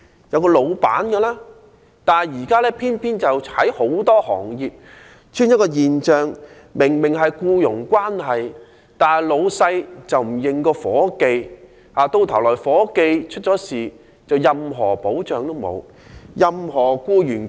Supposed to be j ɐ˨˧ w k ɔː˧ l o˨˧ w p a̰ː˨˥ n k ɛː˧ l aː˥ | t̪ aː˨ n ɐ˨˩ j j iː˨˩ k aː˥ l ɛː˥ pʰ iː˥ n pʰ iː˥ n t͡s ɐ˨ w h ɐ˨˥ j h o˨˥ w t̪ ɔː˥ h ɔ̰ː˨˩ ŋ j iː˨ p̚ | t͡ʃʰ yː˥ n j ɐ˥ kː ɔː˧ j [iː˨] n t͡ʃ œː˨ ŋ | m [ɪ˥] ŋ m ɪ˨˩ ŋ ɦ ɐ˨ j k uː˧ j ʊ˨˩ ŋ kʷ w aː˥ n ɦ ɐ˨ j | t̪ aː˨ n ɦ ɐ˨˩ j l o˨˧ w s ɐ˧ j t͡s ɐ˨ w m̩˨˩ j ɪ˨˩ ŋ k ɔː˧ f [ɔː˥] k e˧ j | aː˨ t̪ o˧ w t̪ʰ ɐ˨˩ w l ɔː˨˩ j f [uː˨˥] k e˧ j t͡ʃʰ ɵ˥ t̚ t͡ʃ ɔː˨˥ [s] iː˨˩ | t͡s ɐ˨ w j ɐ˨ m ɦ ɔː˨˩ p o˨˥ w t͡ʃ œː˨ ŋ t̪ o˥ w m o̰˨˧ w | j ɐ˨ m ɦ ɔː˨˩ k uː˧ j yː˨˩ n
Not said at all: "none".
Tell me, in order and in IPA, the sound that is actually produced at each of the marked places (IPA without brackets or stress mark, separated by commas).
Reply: iː˨, ɪ˨˩, ɔː˨˥, ɔː˨˥, s